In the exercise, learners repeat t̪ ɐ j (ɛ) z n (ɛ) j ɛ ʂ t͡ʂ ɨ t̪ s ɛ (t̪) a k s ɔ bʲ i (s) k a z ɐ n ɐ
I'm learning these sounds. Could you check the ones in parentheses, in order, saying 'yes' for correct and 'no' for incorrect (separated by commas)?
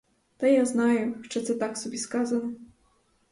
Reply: no, no, yes, yes